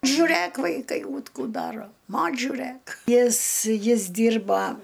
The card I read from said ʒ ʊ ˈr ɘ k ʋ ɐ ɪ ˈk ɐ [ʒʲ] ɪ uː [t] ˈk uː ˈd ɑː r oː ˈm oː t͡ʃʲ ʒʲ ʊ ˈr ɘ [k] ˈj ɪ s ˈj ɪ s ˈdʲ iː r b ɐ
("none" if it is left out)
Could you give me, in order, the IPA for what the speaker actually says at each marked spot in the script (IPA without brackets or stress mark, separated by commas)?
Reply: none, t, k